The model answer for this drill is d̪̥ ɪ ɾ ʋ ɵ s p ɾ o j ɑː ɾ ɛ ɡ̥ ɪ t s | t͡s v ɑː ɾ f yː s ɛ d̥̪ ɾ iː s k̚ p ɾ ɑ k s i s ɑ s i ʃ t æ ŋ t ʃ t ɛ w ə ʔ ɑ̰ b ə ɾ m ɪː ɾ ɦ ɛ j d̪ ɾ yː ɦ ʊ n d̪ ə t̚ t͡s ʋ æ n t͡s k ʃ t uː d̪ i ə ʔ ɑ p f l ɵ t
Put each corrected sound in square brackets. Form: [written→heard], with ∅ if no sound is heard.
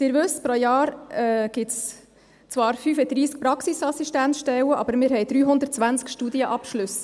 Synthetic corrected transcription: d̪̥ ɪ ɾ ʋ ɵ s p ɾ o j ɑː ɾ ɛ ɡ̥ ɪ t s | t͡s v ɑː ɾ f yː [s→f] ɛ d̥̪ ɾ iː s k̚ p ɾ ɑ k s i s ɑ s i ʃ t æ [ŋ→n] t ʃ t ɛ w ə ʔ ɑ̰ b ə ɾ m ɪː ɾ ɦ ɛ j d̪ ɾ yː ɦ ʊ n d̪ ə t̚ t͡s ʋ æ n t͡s k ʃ t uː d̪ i ə ʔ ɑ p [f→ʃ] l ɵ [t→s]